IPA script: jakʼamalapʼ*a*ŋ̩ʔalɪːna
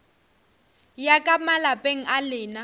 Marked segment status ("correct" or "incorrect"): incorrect